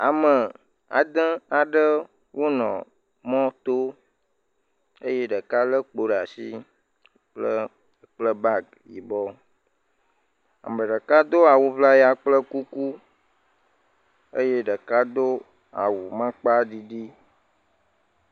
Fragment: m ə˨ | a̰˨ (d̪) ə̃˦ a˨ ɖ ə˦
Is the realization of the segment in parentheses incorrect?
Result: no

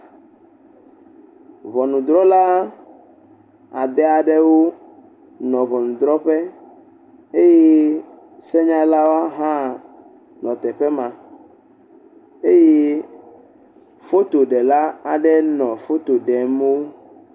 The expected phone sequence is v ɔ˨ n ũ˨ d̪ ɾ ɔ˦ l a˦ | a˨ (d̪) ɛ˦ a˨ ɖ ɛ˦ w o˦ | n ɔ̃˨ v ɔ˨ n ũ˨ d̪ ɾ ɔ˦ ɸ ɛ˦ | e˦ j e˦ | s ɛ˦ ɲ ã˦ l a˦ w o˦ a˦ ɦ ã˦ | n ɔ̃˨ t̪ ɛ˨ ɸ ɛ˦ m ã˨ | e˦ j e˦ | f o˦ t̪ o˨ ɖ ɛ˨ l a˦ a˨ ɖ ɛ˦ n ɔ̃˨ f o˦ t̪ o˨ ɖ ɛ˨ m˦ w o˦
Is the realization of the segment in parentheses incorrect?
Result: no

